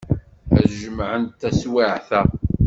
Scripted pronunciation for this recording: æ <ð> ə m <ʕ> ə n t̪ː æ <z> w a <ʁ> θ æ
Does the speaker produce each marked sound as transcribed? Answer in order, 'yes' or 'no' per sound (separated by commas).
no, yes, no, no